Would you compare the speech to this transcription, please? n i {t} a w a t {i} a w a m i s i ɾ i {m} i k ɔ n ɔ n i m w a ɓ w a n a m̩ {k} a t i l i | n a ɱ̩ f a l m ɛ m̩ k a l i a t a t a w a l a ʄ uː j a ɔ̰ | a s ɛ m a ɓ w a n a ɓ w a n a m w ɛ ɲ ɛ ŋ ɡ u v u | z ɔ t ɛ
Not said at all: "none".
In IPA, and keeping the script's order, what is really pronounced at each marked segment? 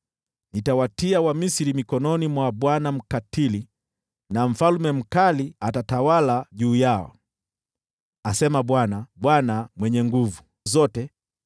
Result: t, i, m, k

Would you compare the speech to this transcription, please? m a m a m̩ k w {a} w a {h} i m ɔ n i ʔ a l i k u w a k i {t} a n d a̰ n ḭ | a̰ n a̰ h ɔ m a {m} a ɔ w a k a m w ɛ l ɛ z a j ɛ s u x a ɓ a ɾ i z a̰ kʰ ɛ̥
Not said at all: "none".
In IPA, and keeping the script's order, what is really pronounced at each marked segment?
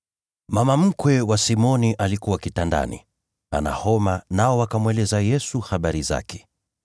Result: ɛ, s, t, n

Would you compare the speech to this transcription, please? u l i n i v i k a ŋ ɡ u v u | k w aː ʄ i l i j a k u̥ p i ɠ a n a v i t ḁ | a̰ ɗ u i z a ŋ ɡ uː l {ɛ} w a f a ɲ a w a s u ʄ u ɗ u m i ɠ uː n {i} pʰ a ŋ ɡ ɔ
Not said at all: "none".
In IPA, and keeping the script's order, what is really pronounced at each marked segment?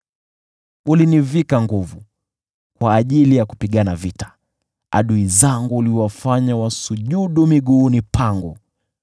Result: i, i

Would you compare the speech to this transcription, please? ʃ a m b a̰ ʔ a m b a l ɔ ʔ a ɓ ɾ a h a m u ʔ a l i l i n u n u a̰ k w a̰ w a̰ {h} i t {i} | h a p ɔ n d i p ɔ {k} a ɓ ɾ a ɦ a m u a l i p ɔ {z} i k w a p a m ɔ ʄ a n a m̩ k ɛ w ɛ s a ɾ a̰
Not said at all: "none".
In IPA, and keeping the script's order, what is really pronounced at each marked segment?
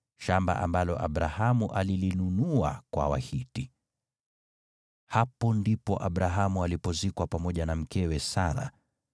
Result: h, i, ʔ, z

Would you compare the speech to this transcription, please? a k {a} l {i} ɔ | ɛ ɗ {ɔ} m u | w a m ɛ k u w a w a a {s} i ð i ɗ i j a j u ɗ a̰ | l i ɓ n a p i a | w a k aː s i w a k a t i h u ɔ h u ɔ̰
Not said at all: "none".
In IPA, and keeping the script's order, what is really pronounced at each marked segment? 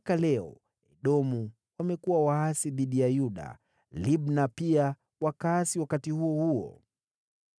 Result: a, ɛ, ɔ, s

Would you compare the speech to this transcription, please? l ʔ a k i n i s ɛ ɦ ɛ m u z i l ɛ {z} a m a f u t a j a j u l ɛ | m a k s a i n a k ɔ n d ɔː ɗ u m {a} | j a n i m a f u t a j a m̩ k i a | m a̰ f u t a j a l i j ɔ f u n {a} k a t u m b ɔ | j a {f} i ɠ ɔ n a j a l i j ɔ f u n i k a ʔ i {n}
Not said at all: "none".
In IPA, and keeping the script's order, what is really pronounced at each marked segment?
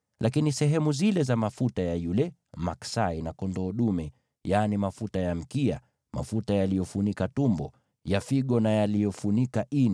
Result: z, ɛ, i, f, n

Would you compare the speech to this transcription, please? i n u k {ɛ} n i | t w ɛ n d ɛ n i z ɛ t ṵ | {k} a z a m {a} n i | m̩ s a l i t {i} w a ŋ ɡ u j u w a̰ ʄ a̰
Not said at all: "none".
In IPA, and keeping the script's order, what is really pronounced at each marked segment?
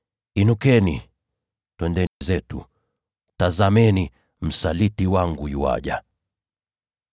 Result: ɛ, t, ɛ, i

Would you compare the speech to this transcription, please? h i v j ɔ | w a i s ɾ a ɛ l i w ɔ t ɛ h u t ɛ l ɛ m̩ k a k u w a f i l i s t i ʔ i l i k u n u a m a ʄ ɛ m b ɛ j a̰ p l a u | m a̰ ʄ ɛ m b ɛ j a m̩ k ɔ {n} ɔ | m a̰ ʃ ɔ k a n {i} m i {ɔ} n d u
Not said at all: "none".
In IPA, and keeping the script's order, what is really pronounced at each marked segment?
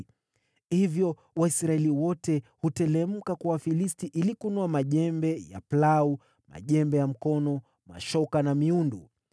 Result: n, a, u

